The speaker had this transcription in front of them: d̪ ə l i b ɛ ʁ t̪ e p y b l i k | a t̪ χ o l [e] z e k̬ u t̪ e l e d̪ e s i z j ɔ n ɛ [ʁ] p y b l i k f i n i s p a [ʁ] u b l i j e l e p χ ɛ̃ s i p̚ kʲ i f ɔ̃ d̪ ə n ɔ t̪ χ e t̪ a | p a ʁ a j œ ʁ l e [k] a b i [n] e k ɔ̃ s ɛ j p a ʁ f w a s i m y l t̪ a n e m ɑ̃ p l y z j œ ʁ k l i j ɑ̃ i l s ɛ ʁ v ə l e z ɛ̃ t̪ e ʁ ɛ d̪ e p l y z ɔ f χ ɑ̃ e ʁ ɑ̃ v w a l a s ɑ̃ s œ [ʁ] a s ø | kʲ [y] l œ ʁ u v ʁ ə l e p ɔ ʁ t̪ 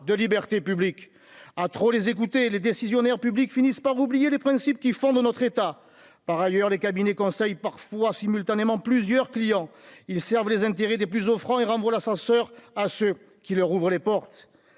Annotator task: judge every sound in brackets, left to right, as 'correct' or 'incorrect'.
correct, correct, correct, correct, correct, correct, incorrect

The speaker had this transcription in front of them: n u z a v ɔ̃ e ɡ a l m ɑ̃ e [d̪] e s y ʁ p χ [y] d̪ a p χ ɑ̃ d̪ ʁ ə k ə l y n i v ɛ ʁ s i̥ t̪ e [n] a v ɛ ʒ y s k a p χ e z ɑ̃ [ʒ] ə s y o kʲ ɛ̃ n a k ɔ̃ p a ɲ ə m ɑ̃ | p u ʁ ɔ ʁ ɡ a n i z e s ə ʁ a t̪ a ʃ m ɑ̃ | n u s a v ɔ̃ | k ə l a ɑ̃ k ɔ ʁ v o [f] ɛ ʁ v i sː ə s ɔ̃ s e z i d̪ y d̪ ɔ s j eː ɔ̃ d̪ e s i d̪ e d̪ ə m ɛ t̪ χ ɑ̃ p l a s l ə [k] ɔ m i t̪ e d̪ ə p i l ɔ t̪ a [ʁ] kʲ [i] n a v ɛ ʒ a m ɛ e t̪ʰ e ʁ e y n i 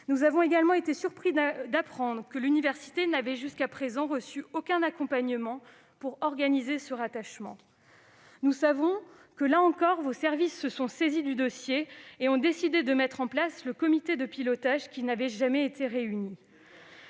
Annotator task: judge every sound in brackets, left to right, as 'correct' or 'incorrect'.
incorrect, incorrect, correct, incorrect, incorrect, correct, incorrect, correct

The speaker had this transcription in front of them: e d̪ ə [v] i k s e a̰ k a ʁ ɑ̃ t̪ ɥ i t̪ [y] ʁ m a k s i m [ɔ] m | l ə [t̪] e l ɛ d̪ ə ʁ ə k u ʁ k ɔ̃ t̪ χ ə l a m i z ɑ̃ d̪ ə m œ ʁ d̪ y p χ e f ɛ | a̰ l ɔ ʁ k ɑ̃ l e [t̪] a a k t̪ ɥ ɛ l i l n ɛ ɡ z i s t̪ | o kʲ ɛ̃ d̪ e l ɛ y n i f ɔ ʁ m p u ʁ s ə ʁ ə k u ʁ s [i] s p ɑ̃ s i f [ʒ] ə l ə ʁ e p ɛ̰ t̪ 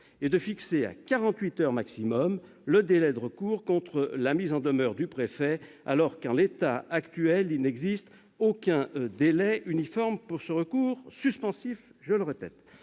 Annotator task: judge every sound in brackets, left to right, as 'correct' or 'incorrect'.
incorrect, incorrect, correct, incorrect, correct, incorrect, correct

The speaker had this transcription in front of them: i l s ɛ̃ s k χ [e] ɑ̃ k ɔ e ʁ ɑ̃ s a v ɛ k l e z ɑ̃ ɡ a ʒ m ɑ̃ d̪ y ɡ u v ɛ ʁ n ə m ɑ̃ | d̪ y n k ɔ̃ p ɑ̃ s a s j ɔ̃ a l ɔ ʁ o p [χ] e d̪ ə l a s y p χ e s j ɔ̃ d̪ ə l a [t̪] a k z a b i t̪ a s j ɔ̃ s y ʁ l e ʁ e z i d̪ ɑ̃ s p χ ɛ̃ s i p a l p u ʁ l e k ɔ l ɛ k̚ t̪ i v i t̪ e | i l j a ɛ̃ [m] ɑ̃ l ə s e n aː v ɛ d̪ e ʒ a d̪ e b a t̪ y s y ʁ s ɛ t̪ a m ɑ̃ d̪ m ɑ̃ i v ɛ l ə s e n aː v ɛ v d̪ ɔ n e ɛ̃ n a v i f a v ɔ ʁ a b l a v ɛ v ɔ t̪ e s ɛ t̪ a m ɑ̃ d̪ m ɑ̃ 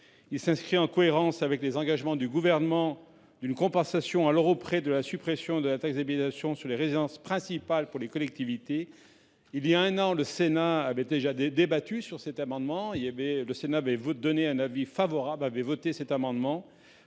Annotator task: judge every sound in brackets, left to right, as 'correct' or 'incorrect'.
incorrect, correct, correct, incorrect

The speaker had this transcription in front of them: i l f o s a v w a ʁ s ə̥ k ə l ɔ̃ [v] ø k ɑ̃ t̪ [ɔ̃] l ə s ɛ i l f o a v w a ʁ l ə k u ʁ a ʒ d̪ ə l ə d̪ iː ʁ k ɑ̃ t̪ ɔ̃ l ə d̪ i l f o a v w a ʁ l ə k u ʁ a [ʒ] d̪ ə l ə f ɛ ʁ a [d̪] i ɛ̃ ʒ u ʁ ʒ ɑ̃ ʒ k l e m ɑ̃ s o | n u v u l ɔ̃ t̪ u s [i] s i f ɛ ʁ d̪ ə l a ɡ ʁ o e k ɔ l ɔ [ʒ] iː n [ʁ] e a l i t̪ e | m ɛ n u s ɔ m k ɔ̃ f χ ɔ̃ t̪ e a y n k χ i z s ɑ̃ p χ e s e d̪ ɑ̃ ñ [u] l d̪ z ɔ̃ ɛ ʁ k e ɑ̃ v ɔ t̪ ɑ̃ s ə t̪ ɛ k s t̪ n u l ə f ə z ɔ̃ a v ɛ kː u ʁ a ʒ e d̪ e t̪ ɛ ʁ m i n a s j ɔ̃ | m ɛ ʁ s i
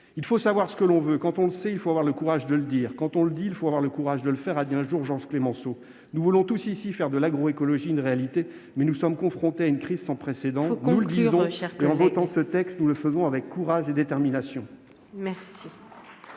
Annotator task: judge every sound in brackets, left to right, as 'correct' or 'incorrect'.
correct, correct, correct, correct, correct, correct, correct, correct

